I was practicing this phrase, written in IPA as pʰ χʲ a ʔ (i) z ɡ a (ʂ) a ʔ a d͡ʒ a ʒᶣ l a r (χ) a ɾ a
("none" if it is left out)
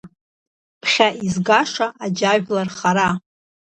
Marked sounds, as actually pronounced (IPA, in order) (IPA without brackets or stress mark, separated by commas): i, ʂ, χ